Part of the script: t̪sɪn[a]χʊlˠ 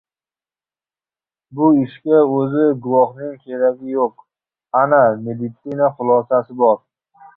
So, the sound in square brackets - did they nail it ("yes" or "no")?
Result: yes